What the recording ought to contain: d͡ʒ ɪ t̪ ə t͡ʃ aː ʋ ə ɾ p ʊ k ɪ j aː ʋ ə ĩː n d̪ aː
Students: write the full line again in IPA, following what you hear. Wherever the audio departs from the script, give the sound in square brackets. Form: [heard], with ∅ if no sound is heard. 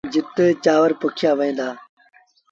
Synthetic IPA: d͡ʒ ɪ t̪ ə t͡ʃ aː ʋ ə ɾ p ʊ [kʰ] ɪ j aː ʋ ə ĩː n d̪ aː